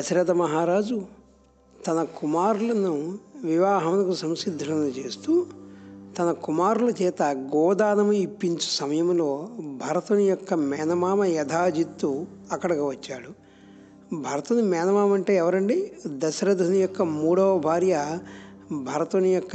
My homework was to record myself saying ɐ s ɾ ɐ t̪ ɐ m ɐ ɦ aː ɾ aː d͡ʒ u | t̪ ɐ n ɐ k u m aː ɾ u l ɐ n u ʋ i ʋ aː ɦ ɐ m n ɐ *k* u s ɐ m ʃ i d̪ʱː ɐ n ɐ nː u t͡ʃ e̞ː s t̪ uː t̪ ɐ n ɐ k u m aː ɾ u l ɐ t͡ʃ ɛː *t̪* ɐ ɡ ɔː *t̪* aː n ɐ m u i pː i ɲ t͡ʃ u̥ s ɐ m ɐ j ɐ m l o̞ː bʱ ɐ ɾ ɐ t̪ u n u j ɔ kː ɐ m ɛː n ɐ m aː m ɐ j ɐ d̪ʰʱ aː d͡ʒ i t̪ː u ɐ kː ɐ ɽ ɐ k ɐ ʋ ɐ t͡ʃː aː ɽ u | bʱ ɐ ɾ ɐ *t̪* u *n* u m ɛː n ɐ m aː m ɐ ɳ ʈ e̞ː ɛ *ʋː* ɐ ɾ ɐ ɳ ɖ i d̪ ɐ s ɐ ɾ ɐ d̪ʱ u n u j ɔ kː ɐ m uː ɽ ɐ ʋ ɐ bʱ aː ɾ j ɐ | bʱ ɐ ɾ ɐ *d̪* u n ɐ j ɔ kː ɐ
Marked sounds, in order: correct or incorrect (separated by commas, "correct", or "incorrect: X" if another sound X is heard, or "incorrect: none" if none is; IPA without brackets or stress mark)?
correct, correct, incorrect: d̪, correct, correct, incorrect: ʋ, incorrect: t̪